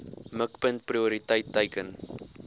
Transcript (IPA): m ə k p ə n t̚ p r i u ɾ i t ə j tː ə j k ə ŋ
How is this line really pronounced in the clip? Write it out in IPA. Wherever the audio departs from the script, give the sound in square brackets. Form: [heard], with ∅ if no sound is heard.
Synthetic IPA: m ə k p ə n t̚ p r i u ɾ i t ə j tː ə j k ə [n]

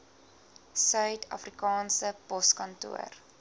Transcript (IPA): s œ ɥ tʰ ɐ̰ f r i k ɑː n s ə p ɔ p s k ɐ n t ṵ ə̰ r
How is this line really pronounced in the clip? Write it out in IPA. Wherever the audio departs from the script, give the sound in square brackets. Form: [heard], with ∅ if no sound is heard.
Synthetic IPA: s œ ɥ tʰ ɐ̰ f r i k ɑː n s ə p ɔ [∅] s k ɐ n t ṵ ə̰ r

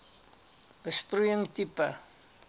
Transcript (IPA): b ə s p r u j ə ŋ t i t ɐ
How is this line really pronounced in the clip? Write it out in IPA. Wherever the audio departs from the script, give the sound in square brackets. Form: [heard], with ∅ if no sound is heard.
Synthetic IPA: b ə s p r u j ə ŋ t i [p] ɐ

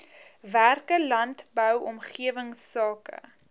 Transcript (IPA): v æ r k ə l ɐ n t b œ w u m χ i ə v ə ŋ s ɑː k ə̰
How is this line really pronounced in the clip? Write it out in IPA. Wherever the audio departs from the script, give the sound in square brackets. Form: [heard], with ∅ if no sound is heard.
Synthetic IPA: v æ r k ə l ɐ n t b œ w [ɔ] m χ i ə v ə ŋ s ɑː k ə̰

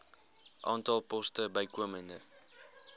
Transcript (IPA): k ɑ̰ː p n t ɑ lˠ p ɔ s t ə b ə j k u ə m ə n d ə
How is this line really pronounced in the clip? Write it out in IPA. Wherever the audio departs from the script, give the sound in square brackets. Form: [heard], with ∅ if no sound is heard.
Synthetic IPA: [ʔ] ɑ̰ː [∅] n t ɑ lˠ p ɔ s t ə b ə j k u ə m ə n d ə

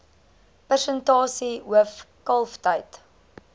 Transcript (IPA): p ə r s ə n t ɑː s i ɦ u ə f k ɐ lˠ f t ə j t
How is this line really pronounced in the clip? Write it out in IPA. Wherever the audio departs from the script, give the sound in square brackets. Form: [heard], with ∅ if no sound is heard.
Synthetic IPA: p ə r s ə n t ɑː s i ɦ u ə f k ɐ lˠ f t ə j t

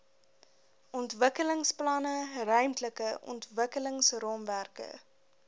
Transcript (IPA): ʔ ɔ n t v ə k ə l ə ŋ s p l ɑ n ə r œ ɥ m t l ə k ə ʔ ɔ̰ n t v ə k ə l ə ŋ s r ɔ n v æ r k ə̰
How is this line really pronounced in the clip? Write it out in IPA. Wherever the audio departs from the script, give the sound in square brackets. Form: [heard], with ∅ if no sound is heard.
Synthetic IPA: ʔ ɔ n t v ə k ə l ə ŋ s p l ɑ n ə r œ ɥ m t l ə k ə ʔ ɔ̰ n t v ə k ə l ə ŋ s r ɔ [m] v æ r k ə̰

